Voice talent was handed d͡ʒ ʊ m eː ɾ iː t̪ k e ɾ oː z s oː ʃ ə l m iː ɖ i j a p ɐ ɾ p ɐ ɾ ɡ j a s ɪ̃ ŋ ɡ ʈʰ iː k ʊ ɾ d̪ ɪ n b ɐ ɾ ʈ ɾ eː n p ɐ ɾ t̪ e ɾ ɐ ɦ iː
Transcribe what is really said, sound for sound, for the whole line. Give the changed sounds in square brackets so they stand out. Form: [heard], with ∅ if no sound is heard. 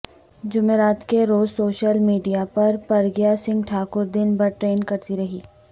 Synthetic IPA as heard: d͡ʒ ʊ m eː ɾ [aː] t̪ k e ɾ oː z s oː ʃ ə l m iː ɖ i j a p ɐ ɾ p ɐ ɾ ɡ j a s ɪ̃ ŋ ɡ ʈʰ [aː] k ʊ ɾ d̪ ɪ n b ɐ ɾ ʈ ɾ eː n [k] ɐ ɾ t̪ [i] ɾ ɐ ɦ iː

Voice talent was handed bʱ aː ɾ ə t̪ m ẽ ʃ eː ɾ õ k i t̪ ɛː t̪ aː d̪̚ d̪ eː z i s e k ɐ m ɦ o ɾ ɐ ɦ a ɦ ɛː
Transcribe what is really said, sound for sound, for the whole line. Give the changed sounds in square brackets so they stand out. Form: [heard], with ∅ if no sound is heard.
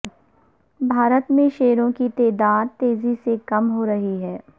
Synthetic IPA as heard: bʱ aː ɾ ə t̪ m ẽ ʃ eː ɾ õ k i t̪ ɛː [d̪] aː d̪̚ [t̪] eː z i s e k ɐ m ɦ o ɾ ɐ ɦ [i] ɦ ɛː

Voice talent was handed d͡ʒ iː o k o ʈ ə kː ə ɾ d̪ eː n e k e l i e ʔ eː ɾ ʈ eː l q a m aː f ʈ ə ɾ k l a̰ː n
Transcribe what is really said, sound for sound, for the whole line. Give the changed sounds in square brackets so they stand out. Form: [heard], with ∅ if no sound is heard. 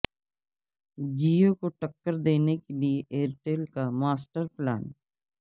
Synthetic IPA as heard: d͡ʒ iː o k o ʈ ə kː ə ɾ d̪ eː n e k e l i e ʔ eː ɾ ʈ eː l [k] a m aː [s] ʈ ə ɾ [p] l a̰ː n

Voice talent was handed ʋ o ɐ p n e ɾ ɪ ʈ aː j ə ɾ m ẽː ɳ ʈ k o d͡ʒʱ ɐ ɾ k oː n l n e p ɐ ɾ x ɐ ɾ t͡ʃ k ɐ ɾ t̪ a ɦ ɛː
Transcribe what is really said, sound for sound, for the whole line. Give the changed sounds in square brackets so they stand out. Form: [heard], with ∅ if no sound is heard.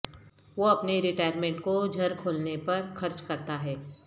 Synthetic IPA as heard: ʋ o ɐ p n e ɾ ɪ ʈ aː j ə ɾ m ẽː ɳ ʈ k o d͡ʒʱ ɐ ɾ [kʰ] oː [∅] l n e p ɐ ɾ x ɐ ɾ t͡ʃ k ɐ ɾ t̪ a ɦ ɛː

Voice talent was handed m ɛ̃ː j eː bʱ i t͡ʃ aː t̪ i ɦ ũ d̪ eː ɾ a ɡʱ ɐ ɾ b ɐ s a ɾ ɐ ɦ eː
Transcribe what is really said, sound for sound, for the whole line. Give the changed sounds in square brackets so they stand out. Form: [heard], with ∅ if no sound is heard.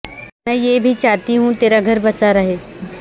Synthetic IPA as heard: m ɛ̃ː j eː bʱ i t͡ʃ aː t̪ i ɦ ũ [t̪] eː ɾ a ɡʱ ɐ ɾ b ɐ s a ɾ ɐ ɦ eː

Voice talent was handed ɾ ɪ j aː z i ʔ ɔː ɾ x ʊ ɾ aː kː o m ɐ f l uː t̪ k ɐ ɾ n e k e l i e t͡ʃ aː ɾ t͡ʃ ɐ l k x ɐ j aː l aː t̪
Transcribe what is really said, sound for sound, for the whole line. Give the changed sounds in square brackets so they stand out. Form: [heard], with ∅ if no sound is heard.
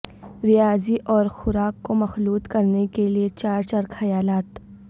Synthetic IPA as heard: ɾ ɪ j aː z i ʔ ɔː ɾ x ʊ ɾ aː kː o m ɐ [x] l uː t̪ k ɐ ɾ n e k e l i e t͡ʃ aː ɾ t͡ʃ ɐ [ɾ] k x ɐ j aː l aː t̪

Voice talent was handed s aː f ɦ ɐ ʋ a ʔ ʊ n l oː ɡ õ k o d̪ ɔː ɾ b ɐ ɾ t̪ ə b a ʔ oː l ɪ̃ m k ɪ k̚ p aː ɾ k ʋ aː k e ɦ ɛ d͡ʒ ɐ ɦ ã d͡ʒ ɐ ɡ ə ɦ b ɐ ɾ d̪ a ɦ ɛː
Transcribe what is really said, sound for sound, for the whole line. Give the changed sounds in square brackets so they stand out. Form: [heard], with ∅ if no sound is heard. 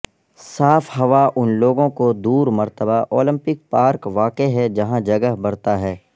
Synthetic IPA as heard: s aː f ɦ ɐ ʋ a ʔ ʊ n l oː ɡ õ k o d̪ [uː] ɾ [m] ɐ ɾ t̪ ə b a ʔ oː l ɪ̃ m [p] ɪ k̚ p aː ɾ k ʋ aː k e ɦ ɛ d͡ʒ ɐ ɦ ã d͡ʒ ɐ ɡ ə ɦ b ɐ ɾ [t̪] a ɦ ɛː

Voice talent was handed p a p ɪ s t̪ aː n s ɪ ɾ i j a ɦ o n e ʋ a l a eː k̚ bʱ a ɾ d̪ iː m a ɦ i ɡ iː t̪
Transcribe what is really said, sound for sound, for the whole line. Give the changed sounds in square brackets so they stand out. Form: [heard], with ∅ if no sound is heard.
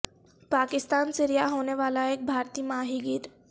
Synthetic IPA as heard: p a [k] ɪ s t̪ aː n s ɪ ɾ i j a ɦ o n e ʋ a l a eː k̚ bʱ a ɾ [t̪] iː m a ɦ i ɡ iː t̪

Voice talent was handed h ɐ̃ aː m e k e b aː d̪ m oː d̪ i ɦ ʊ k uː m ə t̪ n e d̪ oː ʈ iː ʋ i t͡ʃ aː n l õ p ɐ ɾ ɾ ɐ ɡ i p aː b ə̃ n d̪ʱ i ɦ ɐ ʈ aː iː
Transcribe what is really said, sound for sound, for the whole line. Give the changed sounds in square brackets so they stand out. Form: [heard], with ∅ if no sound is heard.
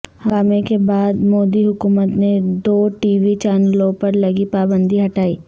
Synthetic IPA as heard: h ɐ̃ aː m e k e b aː d̪ m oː d̪ i ɦ ʊ k uː m ə t̪ n e d̪ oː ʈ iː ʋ i t͡ʃ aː n l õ p ɐ ɾ [l] ɐ ɡ i p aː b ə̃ n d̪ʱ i ɦ ɐ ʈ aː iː

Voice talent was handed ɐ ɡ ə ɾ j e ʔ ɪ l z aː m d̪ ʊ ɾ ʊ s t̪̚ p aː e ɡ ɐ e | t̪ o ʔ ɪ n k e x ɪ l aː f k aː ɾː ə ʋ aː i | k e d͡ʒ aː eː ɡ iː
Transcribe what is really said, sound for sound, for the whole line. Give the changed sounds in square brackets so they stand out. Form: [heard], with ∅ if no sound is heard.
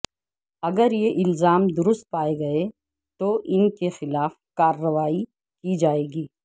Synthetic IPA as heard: ɐ ɡ ə ɾ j e ʔ ɪ l z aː m d̪ ʊ ɾ ʊ s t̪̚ p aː e ɡ ɐ e | t̪ o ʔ ɪ n k e x ɪ l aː f k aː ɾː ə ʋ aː i | k [i] d͡ʒ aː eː ɡ iː

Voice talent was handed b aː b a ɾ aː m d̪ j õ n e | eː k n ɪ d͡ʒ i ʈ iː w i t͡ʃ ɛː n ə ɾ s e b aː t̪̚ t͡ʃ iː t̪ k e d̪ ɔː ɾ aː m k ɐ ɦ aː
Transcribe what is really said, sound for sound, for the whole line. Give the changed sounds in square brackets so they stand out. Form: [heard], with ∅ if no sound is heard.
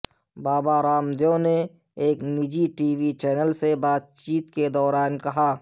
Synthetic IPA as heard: b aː b a ɾ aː m d̪ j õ n e | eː k n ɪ d͡ʒ i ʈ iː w i t͡ʃ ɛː n ə [l] s e b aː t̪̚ t͡ʃ iː t̪ k e d̪ ɔː ɾ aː [n] k ɐ ɦ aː

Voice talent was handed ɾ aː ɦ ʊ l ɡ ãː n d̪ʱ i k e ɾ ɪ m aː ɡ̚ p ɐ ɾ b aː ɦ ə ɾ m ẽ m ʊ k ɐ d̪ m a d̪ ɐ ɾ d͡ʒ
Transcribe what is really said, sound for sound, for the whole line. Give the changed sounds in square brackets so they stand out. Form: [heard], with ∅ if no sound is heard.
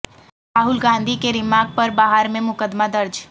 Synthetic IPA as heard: ɾ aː ɦ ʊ l ɡ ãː n d̪ʱ i k e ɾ ɪ m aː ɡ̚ p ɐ ɾ b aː ɦ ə ɾ m ẽ m ʊ k [ə] d̪ m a d̪ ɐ ɾ d͡ʒ

